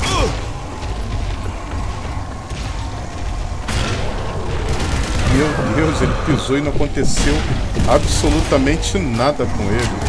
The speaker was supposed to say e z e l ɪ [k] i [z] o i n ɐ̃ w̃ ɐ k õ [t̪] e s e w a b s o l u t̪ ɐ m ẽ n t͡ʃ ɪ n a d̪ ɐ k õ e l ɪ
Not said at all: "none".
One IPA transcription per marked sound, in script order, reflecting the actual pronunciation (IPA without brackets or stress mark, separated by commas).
p, z, t̪